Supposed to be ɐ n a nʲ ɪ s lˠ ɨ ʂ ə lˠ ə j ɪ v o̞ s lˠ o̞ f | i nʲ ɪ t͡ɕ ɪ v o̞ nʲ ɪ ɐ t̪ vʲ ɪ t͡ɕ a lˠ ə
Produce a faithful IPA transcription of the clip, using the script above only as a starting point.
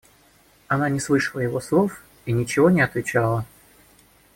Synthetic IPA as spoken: ɐ n a nʲ ɪ s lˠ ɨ ʂ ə lˠ ə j ɪ v o̞ s lˠ o̞ f | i nʲ ɪ t͡ɕ ɪ v o̞ nʲ ɪ ɐ t̪ vʲ ɪ t͡ɕ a lˠ ə